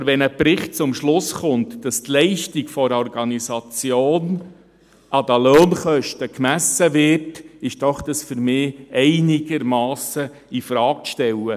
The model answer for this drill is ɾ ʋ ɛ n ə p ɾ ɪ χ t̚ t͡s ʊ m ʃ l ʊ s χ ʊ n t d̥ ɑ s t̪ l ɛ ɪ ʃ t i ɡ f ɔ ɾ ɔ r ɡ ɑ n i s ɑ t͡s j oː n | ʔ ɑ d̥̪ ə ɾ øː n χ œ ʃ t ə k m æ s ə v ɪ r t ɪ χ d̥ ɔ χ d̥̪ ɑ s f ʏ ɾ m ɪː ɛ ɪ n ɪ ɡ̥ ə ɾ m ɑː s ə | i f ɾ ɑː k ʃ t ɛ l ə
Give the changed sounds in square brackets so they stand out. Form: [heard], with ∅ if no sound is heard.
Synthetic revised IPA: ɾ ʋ ɛ n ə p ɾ ɪ χ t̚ t͡s ʊ m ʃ l ʊ s χ ʊ n t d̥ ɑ s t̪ l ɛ ɪ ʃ t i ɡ f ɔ ɾ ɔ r ɡ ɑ n i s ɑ t͡s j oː n | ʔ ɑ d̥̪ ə [l] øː n χ œ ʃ t ə k m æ s ə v ɪ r t ɪ [ʃ] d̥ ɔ χ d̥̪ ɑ s f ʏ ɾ m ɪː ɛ ɪ n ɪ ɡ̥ ə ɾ m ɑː s ə | i f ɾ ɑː k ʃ t ɛ l ə